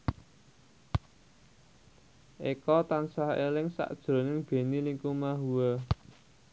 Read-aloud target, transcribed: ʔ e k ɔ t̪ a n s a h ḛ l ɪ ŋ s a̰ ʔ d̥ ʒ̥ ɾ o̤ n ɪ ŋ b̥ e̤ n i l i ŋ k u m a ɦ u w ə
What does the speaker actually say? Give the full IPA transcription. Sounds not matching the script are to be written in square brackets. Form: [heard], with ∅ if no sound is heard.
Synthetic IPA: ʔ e k ɔ t̪ a n s a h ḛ l ɪ ŋ s a̰ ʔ d̥ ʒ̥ ɾ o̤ n ɪ ŋ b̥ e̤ n i l i ŋ k u m a ɦ u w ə